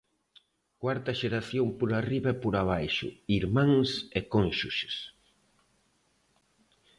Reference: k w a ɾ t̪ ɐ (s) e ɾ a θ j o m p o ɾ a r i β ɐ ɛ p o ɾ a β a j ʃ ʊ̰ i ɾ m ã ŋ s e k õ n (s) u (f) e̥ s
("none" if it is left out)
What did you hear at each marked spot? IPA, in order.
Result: ʃ, ʃ, ʃ

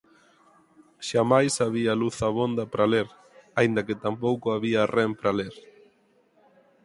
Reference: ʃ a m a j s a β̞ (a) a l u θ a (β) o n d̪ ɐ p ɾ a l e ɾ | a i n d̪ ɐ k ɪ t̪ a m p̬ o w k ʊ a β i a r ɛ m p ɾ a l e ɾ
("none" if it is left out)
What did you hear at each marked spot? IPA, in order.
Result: i, β

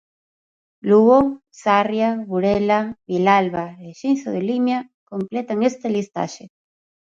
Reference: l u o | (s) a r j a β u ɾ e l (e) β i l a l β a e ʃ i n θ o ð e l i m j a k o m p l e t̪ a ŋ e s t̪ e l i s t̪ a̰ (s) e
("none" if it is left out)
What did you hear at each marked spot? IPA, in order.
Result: s, a, ʃ

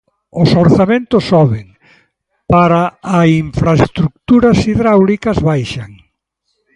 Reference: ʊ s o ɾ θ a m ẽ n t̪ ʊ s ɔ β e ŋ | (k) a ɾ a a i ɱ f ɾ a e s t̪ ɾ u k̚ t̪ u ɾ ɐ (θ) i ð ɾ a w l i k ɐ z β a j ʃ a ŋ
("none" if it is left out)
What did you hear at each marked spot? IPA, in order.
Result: p, s

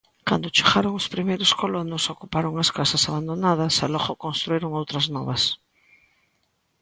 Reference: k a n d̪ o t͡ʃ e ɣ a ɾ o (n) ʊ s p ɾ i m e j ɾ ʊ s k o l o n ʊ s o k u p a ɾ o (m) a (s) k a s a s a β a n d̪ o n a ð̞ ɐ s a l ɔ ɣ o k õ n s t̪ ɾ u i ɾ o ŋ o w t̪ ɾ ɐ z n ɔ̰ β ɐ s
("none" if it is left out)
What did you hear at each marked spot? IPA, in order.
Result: ŋ, ŋ, s

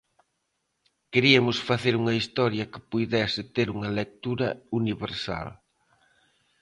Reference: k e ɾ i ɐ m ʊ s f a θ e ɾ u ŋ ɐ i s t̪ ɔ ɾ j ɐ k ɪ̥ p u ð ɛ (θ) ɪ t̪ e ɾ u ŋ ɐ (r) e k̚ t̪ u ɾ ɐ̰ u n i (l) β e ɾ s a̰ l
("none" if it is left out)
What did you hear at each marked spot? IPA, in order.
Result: s, l, none

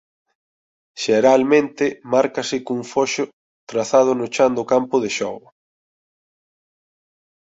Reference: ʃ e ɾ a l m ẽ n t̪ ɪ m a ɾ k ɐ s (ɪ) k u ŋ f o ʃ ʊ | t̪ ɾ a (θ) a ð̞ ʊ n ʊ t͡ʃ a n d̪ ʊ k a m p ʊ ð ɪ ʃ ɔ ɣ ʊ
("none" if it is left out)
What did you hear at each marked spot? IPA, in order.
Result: ɪ, θ

